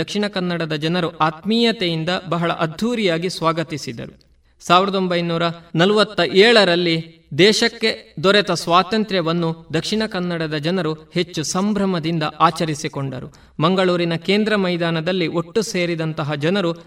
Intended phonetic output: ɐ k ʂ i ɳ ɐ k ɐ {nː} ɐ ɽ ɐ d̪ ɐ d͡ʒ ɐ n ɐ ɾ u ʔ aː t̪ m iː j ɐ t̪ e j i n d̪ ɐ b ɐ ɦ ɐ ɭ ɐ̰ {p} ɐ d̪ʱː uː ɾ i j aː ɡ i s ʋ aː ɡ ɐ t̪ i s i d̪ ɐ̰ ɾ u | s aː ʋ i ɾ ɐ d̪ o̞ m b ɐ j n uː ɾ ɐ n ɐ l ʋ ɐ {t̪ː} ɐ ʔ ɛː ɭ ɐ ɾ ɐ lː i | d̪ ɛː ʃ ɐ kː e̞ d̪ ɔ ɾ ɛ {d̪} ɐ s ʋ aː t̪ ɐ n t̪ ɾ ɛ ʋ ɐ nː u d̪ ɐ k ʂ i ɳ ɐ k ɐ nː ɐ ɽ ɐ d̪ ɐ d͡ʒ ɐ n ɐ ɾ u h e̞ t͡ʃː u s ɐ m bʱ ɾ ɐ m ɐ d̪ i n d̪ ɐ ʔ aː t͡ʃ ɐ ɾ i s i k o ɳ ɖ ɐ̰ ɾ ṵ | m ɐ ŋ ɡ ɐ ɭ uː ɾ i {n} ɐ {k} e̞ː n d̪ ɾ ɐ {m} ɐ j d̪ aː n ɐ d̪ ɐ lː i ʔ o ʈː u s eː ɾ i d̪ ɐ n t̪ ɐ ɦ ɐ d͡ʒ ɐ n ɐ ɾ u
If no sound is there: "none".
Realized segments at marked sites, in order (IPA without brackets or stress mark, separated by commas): nː, ʔ, t̪ː, t̪, n, k, m